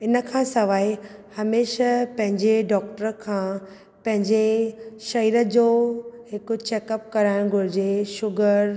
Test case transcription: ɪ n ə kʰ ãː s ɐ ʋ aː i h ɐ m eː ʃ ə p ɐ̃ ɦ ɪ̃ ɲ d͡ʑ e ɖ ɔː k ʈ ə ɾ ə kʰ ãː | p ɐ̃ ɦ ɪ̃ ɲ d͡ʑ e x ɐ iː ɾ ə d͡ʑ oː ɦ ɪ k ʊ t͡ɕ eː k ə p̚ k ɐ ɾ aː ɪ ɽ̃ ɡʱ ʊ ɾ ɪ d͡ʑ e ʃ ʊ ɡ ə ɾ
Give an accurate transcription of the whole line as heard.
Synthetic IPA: ɪ n ə kʰ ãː s ɐ ʋ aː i h ɐ m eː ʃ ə p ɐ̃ ɦ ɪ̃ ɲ d͡ʑ e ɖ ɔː k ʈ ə ɾ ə kʰ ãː | p ɐ̃ ɦ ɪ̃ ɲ d͡ʑ e ʃ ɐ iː ɾ ə d͡ʑ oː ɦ ɪ k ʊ t͡ɕ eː k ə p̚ k ɐ ɾ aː ɪ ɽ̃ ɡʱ ʊ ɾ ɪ d͡ʑ e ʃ ʊ ɡ ə ɾ